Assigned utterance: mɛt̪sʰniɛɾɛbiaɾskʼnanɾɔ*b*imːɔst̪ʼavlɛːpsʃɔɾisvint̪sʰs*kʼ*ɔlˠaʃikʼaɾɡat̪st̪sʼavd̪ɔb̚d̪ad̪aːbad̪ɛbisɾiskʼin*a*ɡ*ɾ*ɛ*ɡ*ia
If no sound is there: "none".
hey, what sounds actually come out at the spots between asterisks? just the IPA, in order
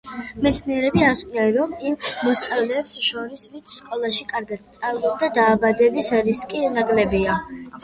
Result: m, kʼ, a, l, b

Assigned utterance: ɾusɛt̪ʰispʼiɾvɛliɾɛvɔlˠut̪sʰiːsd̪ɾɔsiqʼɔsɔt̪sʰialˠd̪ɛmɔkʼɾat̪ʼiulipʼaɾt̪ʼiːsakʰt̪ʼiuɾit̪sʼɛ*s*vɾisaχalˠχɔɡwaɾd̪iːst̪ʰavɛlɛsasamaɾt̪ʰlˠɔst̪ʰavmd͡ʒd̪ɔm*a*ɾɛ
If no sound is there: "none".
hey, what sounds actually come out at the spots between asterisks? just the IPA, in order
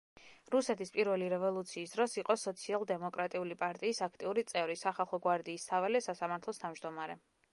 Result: none, a

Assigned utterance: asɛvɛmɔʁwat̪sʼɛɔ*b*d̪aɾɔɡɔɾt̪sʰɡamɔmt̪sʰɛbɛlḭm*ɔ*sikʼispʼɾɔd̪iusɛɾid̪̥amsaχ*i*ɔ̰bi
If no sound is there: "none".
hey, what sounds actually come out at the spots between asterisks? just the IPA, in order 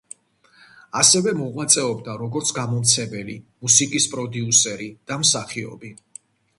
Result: b, u, i

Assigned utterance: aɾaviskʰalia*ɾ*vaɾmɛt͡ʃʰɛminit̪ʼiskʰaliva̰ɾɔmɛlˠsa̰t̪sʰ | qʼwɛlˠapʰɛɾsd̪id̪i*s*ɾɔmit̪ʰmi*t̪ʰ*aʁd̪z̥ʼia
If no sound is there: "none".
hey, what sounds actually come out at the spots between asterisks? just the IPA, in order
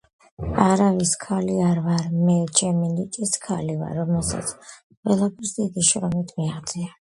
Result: ɾ, ʃ, none

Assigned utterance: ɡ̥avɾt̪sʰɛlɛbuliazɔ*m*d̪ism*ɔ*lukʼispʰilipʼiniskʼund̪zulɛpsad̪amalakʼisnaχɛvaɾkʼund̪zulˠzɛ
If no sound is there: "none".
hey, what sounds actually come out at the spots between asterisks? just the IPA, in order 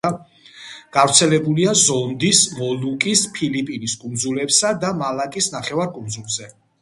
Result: n, ɔ

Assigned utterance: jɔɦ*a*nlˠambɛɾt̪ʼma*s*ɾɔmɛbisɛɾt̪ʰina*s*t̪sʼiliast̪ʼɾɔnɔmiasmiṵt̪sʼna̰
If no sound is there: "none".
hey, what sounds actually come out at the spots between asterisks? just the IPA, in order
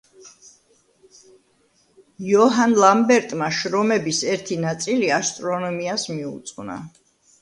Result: a, ʃ, none

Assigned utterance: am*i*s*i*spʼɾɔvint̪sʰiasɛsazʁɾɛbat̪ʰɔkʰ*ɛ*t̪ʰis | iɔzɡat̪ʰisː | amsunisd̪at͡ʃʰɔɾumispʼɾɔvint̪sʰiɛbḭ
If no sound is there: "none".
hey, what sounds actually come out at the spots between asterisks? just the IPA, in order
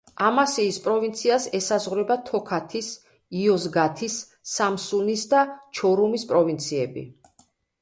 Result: a, iː, a

